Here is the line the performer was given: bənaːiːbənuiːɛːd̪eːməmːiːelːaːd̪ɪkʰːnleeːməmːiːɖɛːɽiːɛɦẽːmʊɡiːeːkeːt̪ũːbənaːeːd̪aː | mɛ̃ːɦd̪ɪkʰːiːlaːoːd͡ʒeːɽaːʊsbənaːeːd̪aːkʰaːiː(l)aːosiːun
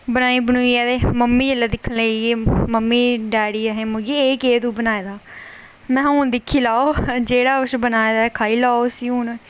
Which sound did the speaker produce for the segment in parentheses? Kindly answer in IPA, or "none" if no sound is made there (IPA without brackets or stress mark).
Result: l